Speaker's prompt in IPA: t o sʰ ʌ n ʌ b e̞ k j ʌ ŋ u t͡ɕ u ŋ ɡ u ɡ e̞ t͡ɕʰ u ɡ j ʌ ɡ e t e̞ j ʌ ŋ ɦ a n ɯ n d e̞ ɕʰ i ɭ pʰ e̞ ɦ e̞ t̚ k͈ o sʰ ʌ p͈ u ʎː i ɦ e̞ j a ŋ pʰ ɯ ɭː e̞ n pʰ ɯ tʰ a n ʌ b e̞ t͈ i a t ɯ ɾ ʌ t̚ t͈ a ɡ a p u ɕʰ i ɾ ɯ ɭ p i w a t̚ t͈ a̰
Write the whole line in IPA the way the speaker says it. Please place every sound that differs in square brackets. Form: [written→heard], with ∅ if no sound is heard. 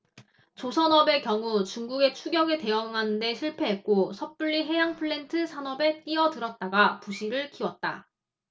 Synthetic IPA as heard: [t→t͡ɕ] o sʰ ʌ n ʌ b e̞ k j ʌ ŋ u t͡ɕ u ŋ ɡ u ɡ e̞ t͡ɕʰ u ɡ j ʌ ɡ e t e̞ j ʌ ŋ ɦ a n ɯ n d e̞ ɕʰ i ɭ pʰ e̞ ɦ e̞ t̚ k͈ o sʰ ʌ p͈ u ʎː i ɦ e̞ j a ŋ pʰ ɯ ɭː e̞ n [pʰ→tʰ] ɯ [tʰ→sʰ] a n ʌ b e̞ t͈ i [a→ʌ] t ɯ ɾ ʌ t̚ t͈ a ɡ a p u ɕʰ i ɾ ɯ ɭ [p→k] i w [a→ʌ] t̚ t͈ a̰

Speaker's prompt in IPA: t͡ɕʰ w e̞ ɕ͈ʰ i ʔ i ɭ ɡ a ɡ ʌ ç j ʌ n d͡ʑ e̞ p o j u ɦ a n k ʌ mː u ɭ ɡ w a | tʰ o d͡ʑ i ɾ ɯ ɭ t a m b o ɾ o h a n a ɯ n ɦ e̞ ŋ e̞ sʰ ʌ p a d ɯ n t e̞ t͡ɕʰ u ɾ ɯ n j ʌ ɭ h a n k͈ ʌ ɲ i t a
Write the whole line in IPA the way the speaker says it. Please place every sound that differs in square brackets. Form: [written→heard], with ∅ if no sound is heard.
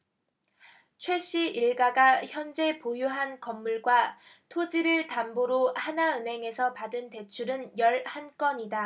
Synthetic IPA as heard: t͡ɕʰ w e̞ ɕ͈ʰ i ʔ i ɭ ɡ a ɡ [ʌ→a] ç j ʌ n d͡ʑ e̞ p o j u ɦ a n k ʌ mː u ɭ ɡ w a | tʰ o d͡ʑ i ɾ ɯ ɭ t a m b o ɾ o h a n a ɯ n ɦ e̞ ŋ e̞ sʰ ʌ p a d ɯ n t e̞ t͡ɕʰ u ɾ ɯ n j ʌ ɭ h a n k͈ ʌ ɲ i [t→d] a

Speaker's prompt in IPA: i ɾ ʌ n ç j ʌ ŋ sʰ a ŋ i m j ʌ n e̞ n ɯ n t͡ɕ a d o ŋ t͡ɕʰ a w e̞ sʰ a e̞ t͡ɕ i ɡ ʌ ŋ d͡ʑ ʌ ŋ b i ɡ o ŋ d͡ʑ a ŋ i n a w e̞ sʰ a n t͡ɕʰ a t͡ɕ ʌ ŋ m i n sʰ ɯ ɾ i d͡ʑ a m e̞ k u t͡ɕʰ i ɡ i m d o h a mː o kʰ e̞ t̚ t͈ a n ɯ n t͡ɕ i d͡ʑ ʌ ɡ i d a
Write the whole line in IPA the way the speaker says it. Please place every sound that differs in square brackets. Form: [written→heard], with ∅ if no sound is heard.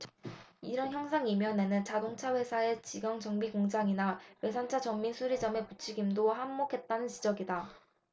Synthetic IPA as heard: i ɾ ʌ n ç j ʌ ŋ sʰ a ŋ i m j ʌ n e̞ n ɯ n t͡ɕ a d o ŋ t͡ɕʰ a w e̞ sʰ a e̞ t͡ɕ i ɡ ʌ ŋ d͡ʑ ʌ ŋ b i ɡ o ŋ d͡ʑ a ŋ i n a w e̞ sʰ a n t͡ɕʰ a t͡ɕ ʌ ŋ m i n sʰ [ɯ→u] ɾ i d͡ʑ [a→ʌ] m e̞ [k→p] u t͡ɕʰ i ɡ i m d o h a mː o kʰ e̞ t̚ t͈ a n ɯ n t͡ɕ i d͡ʑ ʌ ɡ i d a

